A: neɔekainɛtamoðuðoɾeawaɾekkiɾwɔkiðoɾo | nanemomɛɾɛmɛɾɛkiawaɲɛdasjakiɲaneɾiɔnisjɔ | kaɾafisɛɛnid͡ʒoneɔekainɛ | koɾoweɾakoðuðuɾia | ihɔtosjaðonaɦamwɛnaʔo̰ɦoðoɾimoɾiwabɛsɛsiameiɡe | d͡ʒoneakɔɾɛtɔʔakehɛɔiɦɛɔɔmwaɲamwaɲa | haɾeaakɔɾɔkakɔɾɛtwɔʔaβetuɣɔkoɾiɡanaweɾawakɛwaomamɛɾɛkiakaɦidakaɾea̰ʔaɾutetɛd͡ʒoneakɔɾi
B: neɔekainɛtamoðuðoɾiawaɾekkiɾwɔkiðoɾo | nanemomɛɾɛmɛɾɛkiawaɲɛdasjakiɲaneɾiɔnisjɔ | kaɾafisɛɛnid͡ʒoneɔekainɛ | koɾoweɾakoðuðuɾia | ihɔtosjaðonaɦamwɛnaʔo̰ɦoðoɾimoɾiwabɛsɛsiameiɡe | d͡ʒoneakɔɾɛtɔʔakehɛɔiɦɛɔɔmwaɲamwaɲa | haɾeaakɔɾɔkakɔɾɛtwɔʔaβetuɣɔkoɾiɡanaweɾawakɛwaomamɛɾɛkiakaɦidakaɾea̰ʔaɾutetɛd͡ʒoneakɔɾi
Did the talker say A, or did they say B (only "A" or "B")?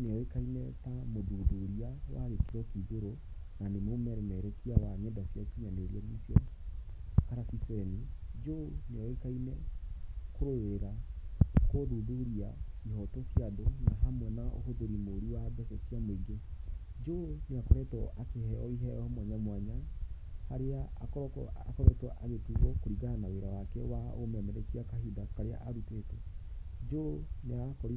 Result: B